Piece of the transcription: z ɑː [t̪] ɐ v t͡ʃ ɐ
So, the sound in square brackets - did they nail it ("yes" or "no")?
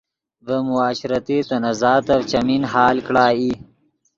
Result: yes